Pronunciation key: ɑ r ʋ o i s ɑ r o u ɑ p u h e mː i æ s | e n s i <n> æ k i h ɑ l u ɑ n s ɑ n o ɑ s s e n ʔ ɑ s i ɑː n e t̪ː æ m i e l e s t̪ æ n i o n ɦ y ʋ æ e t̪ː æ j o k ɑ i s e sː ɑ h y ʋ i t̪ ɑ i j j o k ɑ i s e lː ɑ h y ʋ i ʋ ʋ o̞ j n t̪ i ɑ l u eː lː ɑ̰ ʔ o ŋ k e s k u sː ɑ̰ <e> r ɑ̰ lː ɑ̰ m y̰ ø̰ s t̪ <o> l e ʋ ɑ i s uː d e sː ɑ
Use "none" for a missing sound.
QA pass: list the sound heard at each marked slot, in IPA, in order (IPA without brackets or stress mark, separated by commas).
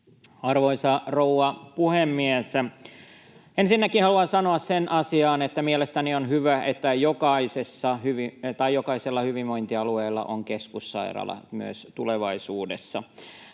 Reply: nː, i, u